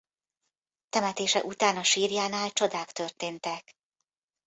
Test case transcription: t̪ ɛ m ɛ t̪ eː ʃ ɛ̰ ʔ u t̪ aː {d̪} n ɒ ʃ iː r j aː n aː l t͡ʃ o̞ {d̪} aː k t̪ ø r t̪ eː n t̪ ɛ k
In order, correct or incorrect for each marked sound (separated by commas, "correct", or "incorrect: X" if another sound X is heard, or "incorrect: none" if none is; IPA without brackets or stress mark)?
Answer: incorrect: none, correct